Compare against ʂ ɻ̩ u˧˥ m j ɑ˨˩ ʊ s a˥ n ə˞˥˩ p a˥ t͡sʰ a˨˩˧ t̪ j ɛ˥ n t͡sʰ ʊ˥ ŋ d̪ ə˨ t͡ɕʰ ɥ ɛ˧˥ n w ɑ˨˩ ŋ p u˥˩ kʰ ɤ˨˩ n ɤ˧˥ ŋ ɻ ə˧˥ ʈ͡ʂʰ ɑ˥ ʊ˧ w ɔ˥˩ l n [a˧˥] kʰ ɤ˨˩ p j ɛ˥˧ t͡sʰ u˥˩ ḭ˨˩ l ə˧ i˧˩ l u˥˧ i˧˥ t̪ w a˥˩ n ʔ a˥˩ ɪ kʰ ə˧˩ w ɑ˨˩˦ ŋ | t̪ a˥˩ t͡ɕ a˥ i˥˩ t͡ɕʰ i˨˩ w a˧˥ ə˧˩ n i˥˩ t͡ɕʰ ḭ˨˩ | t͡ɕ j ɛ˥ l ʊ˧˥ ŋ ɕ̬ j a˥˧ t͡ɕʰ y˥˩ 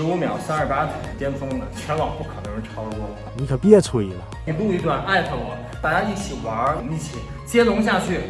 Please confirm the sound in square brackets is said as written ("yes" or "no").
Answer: no